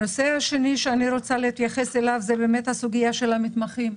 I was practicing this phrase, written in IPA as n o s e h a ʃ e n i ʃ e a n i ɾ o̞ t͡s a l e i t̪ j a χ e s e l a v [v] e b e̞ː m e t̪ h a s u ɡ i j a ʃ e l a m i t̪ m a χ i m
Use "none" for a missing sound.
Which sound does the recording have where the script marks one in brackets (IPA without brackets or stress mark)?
z